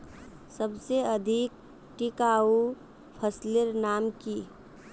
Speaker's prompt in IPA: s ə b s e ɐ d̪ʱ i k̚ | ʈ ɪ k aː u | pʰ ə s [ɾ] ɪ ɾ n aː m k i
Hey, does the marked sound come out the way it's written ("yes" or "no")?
no